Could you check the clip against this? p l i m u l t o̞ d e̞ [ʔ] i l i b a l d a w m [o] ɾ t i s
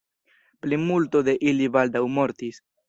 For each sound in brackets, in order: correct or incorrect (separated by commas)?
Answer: correct, correct